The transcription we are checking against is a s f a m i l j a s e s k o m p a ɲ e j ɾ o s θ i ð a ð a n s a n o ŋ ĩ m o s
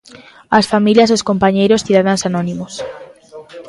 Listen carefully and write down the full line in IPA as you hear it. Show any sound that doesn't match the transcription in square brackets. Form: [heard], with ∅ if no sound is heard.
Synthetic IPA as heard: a s f a m i l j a s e s k o m p a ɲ e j ɾ o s θ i ð a ð a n s a n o [n] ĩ m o s